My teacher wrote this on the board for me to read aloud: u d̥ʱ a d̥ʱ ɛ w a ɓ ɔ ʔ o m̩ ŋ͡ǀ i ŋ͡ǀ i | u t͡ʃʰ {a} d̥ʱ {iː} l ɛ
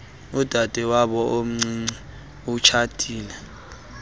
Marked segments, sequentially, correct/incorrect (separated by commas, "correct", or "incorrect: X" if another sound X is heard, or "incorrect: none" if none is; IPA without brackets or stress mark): correct, correct